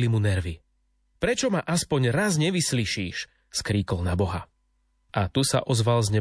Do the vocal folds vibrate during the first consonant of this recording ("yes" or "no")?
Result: yes